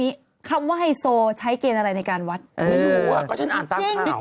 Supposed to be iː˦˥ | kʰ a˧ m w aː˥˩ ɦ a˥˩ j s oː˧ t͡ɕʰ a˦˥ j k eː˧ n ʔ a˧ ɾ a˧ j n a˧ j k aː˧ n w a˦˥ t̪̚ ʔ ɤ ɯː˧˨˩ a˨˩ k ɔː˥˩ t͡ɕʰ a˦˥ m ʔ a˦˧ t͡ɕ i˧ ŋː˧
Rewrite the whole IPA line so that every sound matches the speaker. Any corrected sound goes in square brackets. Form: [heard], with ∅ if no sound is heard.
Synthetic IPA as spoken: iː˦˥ | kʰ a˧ m w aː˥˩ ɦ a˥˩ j s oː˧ t͡ɕʰ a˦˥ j k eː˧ n ʔ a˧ ɾ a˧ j n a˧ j k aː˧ n w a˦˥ t̪̚ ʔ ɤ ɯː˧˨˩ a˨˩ k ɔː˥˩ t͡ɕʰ a˦˥ [n] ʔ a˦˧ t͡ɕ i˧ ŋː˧

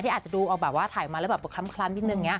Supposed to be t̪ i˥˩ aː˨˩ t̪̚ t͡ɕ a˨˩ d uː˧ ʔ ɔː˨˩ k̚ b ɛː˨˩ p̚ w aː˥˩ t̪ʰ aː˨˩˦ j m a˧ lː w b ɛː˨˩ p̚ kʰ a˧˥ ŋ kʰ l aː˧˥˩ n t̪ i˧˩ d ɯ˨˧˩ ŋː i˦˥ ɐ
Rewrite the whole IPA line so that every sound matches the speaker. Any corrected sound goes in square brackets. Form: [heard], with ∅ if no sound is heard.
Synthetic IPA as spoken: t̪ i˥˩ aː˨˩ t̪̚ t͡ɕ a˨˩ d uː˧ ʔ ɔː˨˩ k̚ b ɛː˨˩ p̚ w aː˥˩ t̪ʰ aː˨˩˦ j m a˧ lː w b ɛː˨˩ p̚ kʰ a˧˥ [m] kʰ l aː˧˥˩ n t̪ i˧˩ [n] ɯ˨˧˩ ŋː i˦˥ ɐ

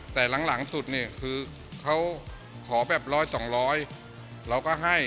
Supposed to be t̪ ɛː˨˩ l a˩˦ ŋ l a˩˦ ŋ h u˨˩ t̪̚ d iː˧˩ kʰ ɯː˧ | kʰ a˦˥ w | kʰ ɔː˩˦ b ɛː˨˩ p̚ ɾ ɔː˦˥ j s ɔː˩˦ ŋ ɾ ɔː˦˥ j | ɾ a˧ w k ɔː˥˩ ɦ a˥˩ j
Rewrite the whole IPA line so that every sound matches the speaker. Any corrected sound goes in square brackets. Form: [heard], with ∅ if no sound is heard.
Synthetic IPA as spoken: t̪ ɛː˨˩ l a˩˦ ŋ l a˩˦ ŋ [s] u˨˩ t̪̚ [n] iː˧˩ kʰ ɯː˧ | kʰ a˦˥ w | kʰ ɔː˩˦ b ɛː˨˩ p̚ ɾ ɔː˦˥ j s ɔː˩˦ ŋ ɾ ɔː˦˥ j | ɾ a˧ w k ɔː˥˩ ɦ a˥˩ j

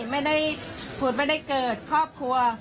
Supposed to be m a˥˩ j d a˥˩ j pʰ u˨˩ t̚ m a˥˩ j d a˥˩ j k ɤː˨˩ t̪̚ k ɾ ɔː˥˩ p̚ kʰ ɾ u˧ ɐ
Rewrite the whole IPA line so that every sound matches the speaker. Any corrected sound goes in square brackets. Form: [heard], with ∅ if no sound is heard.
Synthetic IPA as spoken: m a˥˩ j d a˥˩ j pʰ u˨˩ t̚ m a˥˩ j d a˥˩ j k ɤː˨˩ t̪̚ [kʰ] ɾ ɔː˥˩ p̚ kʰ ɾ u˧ ɐ

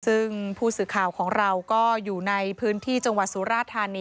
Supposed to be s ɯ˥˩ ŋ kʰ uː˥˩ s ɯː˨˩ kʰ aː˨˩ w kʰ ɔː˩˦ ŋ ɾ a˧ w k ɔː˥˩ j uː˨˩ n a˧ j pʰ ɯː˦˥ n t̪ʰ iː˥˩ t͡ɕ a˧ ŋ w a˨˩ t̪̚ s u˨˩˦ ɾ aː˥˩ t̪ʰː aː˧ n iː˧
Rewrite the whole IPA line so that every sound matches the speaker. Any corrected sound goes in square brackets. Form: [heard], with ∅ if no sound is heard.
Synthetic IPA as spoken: s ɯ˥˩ ŋ [pʰ] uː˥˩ s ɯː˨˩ kʰ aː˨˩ w kʰ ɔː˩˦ ŋ ɾ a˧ w k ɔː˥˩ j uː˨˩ n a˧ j pʰ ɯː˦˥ n t̪ʰ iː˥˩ t͡ɕ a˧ ŋ w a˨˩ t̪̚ s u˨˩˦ ɾ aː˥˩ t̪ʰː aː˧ n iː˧

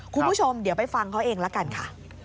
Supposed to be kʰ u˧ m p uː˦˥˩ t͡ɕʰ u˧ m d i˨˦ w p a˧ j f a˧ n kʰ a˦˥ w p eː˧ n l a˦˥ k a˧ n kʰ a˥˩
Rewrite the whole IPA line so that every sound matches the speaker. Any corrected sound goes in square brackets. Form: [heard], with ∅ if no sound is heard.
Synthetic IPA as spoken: kʰ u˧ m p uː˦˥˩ t͡ɕʰ [o˧] m d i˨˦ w p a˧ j f a˧ [ŋ] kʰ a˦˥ w [ʔ] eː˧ [ŋ] l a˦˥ k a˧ n kʰ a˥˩

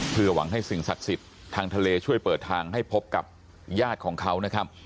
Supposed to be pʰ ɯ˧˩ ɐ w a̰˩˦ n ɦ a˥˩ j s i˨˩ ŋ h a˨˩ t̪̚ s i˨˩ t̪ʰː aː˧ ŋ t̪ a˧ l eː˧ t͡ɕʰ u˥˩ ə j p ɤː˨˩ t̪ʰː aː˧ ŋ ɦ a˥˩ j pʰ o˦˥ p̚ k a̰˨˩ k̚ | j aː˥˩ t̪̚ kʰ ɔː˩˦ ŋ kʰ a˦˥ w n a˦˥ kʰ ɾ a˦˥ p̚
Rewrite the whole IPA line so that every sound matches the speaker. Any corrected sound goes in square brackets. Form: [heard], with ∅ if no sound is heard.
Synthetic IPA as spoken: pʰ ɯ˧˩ ɐ w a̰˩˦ [ŋ] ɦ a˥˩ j s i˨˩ ŋ [s] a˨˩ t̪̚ s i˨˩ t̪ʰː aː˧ ŋ [t̪ʰ] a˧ l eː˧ t͡ɕʰ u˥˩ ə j p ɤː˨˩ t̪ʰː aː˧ ŋ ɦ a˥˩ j pʰ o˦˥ p̚ k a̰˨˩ [p̚] | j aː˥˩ t̪̚ kʰ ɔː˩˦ ŋ kʰ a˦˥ w n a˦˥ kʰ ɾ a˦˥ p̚

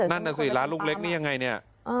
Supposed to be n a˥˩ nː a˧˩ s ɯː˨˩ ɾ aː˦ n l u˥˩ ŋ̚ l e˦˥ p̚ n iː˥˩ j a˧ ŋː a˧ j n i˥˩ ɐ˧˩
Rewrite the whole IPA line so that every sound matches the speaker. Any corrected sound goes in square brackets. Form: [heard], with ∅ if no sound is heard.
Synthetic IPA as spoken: n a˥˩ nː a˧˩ s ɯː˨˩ [l] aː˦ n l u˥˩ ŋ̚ l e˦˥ [k̚] n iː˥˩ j a˧ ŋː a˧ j n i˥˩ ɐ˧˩

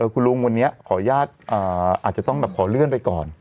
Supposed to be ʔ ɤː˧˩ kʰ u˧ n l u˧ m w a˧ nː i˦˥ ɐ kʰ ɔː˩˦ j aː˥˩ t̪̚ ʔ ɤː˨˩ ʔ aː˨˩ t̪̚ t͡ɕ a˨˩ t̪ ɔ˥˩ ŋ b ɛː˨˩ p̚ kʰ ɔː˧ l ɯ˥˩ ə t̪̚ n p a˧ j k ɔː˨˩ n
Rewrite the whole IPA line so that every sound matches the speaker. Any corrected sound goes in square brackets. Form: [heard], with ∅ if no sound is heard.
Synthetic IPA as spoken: ʔ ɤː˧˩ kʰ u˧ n l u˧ [ŋ] w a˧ nː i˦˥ ɐ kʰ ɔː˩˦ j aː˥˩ t̪̚ ʔ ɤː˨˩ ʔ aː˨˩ t̪̚ t͡ɕ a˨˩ t̪ ɔ˥˩ ŋ b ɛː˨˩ p̚ kʰ [ɔː˩˦] l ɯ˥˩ ə [∅] n p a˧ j k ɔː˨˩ n

